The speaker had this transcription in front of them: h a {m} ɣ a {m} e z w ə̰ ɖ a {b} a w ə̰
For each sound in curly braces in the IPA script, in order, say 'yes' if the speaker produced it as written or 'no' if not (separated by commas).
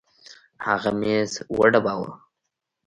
no, yes, yes